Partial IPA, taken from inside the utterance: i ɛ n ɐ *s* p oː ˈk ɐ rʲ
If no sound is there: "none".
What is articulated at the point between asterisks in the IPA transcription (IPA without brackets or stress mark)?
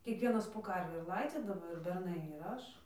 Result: s